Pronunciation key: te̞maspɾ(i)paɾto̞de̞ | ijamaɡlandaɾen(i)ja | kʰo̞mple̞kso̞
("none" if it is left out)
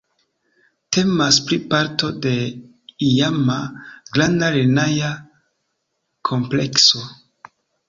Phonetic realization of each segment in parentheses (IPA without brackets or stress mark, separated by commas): i, a